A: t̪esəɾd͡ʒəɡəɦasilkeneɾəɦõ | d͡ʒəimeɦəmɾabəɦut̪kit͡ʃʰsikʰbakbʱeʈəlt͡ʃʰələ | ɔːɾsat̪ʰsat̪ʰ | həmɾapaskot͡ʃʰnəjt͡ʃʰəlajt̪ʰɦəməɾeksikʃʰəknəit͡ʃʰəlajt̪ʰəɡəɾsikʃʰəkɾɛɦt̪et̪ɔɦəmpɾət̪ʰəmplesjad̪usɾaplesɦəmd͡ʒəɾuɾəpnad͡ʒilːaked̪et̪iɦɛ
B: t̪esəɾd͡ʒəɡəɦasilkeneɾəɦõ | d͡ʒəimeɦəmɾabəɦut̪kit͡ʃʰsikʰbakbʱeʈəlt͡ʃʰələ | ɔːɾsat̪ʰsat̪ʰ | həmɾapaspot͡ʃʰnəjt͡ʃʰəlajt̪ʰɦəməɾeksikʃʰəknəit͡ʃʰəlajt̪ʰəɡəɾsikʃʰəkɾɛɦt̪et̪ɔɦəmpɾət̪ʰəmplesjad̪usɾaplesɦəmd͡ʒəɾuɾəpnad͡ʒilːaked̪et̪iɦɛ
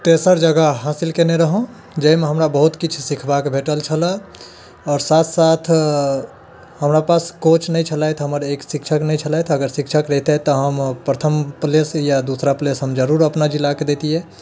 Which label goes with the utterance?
A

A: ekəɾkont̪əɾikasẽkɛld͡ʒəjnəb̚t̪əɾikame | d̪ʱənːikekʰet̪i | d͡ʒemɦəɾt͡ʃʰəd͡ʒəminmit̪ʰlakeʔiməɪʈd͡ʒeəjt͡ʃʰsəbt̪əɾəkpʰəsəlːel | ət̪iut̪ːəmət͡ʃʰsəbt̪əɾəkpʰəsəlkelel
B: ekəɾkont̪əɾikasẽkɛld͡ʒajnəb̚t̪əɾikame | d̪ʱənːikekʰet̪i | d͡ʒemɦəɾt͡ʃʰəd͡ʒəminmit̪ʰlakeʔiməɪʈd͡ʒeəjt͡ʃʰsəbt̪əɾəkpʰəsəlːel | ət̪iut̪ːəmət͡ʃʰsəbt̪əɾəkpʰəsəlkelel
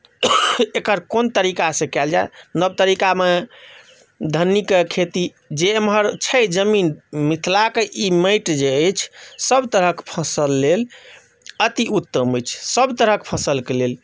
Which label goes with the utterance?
B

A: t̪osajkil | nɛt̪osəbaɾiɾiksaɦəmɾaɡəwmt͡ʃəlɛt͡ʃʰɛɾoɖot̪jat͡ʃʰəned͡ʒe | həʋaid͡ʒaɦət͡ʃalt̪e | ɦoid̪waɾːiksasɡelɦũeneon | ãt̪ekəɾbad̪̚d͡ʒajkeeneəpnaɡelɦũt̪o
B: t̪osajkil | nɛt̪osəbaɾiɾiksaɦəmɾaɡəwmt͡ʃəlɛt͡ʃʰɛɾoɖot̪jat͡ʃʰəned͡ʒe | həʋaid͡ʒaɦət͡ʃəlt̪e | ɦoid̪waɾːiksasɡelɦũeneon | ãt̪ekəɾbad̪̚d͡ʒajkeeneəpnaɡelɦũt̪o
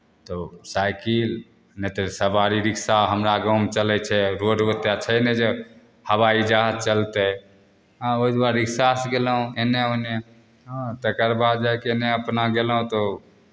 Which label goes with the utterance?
B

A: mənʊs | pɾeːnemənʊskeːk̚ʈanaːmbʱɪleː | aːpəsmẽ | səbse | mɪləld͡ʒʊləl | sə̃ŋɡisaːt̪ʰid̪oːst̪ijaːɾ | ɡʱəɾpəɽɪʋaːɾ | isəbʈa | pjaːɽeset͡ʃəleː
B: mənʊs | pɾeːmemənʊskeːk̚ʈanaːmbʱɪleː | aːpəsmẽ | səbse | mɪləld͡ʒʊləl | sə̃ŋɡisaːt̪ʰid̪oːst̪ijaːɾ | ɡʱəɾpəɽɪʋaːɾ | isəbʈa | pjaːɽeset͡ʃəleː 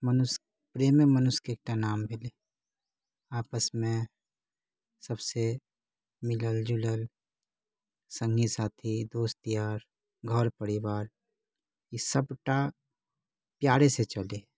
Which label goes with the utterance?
B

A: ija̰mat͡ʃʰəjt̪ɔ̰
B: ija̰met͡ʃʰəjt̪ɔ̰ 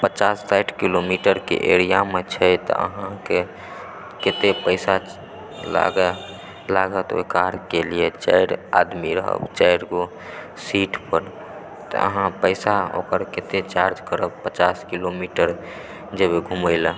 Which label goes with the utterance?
B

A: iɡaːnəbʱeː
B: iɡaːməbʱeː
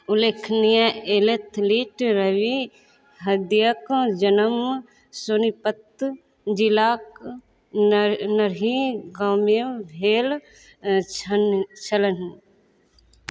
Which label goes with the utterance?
B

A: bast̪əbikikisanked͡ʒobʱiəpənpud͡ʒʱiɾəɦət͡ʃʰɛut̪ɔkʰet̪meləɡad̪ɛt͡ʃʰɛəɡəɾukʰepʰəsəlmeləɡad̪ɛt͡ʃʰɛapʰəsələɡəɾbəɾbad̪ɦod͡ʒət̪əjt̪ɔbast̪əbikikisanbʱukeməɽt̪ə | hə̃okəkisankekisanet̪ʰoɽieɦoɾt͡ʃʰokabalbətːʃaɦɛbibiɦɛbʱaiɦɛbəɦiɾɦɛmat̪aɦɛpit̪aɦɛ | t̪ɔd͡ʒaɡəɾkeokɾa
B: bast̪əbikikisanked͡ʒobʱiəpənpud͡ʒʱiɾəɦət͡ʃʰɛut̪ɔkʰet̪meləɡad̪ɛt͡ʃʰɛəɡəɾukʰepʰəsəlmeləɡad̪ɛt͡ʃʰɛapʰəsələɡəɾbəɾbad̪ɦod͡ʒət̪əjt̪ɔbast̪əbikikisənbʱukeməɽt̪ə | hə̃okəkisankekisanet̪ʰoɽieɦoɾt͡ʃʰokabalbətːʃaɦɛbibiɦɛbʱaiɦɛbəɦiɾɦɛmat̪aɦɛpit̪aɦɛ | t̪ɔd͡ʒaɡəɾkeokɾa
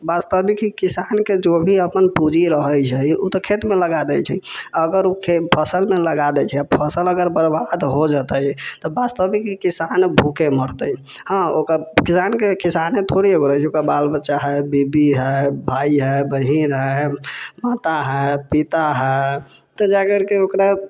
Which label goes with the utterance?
A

